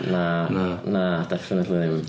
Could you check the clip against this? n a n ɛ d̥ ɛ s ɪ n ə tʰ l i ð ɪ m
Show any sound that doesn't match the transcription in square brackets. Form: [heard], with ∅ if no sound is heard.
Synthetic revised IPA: n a n [a] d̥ ɛ [f] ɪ n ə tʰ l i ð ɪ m